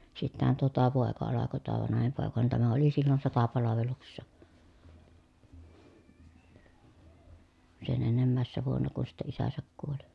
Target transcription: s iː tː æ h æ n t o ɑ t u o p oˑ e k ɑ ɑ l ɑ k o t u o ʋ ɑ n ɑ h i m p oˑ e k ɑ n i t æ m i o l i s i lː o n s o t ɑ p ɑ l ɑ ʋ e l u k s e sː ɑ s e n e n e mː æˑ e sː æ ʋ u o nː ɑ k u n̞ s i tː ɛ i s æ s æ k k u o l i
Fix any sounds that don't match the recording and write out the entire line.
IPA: s i tː æ h æ n t o ɑ t u o p oˑ e k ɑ ɑ l ɑ k o t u o ʋ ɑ n ɑ h i m p oˑ e k ɑ n i t æ m æ o l i s i lː o n s o t ɑ p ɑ l ɑ ʋ e l u k s e sː ɑ s e n e nː e mː æˑ e sː æ ʋ u o nː ɑ k u n̞ s i tː ɛ i s æ s æ k k u o l i